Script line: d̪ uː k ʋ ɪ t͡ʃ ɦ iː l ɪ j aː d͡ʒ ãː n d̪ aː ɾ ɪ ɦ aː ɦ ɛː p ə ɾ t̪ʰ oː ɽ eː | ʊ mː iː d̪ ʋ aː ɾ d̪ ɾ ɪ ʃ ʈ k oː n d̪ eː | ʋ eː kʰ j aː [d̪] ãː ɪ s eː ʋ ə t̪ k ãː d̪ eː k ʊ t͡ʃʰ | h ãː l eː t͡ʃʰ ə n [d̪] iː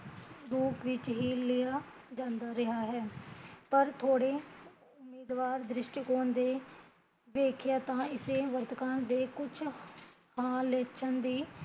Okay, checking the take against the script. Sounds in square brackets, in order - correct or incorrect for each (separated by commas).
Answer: incorrect, correct